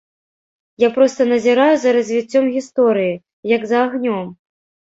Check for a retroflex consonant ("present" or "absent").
absent